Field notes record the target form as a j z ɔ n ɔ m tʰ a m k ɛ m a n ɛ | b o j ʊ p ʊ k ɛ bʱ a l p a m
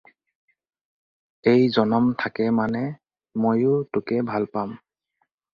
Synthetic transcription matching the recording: e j z ɔ n ɔ m tʰ a k ɛ m a n ɛ | m o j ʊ t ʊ k ɛ bʱ a l p a m

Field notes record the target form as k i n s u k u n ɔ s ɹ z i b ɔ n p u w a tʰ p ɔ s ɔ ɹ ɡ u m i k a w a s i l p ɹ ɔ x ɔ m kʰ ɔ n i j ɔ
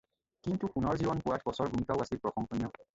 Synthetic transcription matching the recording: k i n t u k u n ɔ ɹ z i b ɔ n p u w a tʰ b ɔ s ɔ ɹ ɡ u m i k a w a s i l p ɹ ɔ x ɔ ŋ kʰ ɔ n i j ɔ

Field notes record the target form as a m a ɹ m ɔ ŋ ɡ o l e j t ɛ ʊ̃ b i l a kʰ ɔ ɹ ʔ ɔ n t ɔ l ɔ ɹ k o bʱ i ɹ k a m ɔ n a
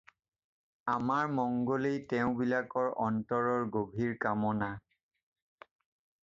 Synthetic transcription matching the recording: a m a ɹ m ɔ ŋ ɡ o l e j t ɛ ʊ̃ b i l a k ɔ ɹ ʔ ɔ n t ɔ ɹ ɔ ɹ ɡ o bʱ i ɹ k a m ɔ n a

